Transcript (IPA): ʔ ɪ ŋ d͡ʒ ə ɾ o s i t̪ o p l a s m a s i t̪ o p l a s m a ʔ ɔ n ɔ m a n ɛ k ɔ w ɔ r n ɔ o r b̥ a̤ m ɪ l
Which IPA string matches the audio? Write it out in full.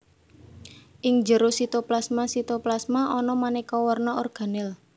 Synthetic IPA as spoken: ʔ ɪ ŋ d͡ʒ ə ɾ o s i t̪ o p l a s m a s i t̪ o p l a s m a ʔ ɔ n ɔ m a n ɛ k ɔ w ɔ r n ɔ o r ɡ̥ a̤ n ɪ l